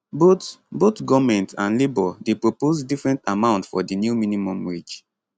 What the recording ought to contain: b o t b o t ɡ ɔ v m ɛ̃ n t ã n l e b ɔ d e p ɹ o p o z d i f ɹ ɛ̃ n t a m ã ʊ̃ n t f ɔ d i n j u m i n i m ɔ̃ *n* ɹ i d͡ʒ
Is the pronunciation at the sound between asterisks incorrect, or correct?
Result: incorrect